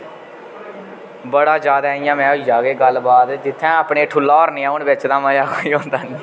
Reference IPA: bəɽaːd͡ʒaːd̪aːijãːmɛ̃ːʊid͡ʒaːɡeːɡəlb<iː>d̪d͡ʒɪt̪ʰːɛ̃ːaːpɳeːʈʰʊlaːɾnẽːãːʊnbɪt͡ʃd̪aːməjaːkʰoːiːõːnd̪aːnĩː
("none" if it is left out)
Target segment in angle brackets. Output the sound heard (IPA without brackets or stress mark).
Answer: aː